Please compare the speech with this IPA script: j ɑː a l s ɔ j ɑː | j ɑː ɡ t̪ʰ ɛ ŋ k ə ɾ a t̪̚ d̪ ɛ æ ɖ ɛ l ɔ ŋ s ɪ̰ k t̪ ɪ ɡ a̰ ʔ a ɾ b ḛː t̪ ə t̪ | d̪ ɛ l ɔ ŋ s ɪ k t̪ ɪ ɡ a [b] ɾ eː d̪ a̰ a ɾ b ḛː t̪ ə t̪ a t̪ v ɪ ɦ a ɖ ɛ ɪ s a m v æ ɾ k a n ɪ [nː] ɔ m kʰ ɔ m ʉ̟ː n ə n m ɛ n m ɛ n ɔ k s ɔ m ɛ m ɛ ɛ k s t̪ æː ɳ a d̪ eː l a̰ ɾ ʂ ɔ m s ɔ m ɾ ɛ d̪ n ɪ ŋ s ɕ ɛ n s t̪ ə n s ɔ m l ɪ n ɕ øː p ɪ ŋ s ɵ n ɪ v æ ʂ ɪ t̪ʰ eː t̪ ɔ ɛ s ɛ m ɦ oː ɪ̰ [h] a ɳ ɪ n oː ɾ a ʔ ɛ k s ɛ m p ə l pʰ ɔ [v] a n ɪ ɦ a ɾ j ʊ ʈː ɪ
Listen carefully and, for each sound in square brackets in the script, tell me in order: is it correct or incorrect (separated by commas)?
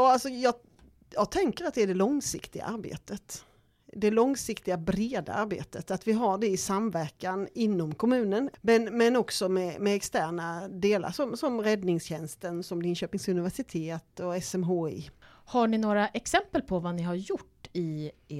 correct, correct, correct, correct